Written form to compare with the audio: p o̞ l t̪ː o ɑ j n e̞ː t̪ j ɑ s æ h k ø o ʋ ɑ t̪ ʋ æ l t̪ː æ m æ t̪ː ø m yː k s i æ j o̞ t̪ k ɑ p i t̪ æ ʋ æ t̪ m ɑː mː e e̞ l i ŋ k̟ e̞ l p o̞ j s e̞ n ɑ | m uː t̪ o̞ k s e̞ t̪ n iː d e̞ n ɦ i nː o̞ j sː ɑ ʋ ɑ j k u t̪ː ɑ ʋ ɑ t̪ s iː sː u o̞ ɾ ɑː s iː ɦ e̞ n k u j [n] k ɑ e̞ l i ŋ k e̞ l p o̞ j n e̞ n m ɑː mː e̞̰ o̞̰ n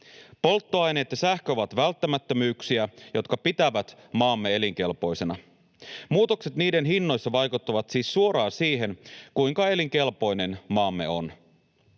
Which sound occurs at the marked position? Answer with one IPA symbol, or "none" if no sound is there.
ŋ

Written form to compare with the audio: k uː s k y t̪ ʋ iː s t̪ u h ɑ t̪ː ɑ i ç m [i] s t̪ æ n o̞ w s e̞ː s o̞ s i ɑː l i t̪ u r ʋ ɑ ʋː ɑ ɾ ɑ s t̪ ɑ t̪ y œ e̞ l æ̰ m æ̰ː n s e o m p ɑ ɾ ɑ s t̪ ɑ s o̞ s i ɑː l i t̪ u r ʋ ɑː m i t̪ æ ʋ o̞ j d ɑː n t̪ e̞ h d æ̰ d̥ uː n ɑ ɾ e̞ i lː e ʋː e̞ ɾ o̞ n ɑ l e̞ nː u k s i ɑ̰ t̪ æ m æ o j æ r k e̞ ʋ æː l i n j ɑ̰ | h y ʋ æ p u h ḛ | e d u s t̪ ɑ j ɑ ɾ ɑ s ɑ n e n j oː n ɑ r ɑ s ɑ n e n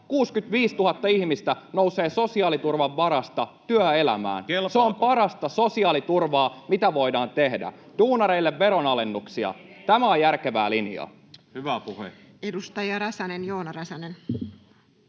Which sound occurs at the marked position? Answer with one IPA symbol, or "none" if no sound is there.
i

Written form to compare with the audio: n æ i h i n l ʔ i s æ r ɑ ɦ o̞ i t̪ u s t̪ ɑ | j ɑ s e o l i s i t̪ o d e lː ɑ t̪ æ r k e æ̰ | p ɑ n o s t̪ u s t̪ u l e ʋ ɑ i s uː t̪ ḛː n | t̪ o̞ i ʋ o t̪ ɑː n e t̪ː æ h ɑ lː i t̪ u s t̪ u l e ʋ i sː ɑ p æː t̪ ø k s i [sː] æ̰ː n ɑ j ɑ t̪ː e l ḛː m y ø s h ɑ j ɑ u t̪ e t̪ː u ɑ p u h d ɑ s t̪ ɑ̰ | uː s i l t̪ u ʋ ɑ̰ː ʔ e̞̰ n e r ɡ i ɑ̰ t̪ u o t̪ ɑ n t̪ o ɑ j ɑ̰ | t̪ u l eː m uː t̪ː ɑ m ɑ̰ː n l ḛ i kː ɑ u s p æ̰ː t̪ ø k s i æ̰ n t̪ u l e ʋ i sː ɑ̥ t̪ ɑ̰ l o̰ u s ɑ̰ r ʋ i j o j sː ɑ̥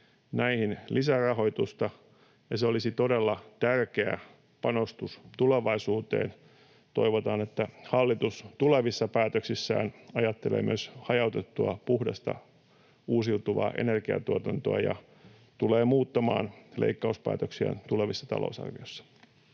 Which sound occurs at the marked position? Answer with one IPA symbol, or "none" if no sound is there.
sː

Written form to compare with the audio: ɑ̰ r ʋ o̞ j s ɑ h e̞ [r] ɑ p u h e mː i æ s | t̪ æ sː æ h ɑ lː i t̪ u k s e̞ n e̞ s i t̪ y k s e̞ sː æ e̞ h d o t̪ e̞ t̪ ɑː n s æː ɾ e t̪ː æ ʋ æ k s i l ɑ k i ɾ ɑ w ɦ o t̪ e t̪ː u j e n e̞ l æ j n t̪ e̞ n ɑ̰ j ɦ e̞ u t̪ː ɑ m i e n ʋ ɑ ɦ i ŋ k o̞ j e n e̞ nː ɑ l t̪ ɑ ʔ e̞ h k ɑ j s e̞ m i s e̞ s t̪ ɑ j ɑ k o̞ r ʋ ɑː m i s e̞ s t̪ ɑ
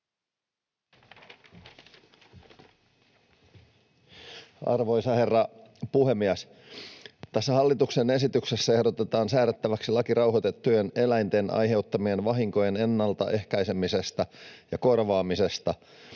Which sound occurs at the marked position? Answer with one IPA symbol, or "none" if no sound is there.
rː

